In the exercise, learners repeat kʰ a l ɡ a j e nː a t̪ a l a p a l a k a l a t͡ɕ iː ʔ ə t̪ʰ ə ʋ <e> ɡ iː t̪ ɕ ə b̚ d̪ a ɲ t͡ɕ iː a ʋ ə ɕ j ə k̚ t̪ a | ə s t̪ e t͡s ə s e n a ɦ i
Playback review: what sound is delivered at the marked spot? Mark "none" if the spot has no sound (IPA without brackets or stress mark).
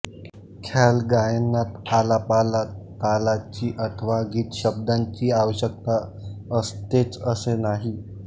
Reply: a